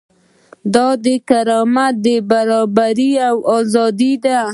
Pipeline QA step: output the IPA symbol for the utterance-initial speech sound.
d̪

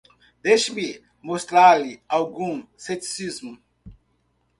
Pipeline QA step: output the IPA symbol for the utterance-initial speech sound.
d̪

